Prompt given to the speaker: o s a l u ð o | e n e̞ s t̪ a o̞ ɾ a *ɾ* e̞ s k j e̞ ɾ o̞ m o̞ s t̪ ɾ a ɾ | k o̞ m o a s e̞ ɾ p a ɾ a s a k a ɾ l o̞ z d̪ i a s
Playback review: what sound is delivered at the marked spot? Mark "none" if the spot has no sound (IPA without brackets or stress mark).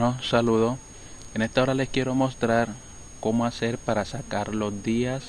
l